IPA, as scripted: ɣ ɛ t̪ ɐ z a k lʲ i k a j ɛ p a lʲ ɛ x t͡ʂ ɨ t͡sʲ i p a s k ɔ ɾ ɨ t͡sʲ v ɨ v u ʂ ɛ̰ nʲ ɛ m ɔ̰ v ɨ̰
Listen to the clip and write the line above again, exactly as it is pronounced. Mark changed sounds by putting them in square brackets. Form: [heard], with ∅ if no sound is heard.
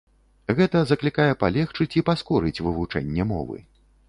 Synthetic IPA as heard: ɣ ɛ t̪ ɐ z [ɐ] k lʲ i k a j ɛ p a lʲ ɛ x t͡ʂ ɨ t͡sʲ i p a s k ɔ ɾ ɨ t͡sʲ v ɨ v u [t͡ʂ] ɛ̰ [nʲː] ɛ m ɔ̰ v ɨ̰